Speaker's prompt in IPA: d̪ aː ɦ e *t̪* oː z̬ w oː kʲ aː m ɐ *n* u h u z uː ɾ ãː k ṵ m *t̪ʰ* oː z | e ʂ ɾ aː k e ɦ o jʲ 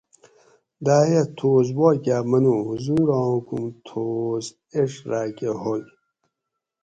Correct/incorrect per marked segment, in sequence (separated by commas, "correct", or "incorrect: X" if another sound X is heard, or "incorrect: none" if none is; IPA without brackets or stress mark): incorrect: t̪ʰ, correct, correct